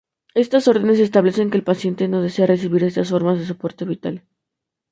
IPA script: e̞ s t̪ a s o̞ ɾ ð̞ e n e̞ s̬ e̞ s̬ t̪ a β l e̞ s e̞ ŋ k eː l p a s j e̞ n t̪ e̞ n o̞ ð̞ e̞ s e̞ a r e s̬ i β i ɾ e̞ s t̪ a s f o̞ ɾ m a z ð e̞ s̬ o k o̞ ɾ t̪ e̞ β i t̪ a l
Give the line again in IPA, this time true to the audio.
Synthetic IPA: e̞ s t̪ a s o̞ ɾ ð̞ e n e̞ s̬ e̞ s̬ t̪ a β l e̞ s e̞ ŋ k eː l p a s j e̞ n t̪ e̞ n o̞ ð̞ e̞ s e̞ a r e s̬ i β i ɾ e̞ s t̪ a s f o̞ ɾ m a z ð e̞ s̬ o p o̞ ɾ t̪ e̞ β i t̪ a l